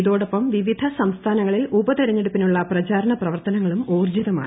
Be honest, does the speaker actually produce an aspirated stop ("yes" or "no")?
yes